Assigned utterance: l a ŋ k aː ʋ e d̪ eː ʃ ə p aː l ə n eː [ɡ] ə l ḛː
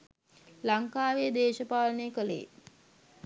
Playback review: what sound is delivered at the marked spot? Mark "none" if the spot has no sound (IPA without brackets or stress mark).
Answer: k